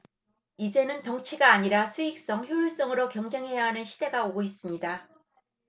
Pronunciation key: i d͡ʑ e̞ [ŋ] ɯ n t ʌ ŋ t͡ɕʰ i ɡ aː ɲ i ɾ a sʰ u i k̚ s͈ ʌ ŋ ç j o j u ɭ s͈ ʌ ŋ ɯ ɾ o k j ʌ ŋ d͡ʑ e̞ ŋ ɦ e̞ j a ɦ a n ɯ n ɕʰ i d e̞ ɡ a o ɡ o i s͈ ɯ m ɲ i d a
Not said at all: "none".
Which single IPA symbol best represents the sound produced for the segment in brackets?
n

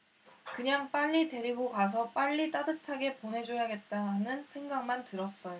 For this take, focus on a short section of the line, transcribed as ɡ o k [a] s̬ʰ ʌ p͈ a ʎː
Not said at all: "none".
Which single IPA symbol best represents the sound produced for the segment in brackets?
a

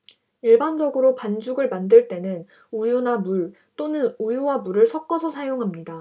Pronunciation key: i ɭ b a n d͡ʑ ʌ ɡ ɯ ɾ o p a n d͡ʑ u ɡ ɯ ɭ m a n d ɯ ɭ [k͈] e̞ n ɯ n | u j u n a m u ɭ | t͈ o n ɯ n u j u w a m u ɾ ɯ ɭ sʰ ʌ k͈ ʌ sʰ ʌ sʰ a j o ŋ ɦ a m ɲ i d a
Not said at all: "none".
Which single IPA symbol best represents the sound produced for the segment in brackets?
t͈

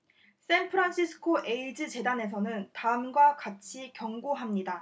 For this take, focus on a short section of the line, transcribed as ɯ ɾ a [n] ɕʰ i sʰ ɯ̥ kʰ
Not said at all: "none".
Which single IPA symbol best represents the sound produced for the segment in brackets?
n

